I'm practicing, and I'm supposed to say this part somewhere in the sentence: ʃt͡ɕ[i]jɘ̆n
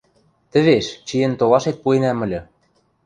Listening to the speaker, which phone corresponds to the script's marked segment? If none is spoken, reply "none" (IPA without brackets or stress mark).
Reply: i